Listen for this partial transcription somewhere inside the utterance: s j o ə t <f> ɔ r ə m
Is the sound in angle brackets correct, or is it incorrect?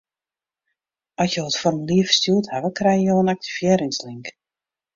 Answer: correct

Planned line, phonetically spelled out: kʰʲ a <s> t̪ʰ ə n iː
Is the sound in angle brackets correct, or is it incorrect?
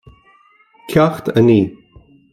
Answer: incorrect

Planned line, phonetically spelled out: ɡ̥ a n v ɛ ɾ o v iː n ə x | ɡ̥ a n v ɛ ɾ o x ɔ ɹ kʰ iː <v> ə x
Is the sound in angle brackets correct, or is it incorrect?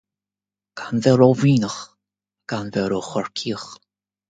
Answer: incorrect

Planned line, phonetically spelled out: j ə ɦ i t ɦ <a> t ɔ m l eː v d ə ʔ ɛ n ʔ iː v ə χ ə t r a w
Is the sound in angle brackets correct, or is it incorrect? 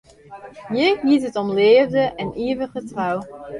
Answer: incorrect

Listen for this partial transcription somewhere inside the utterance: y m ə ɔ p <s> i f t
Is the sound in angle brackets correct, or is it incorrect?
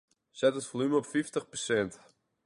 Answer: incorrect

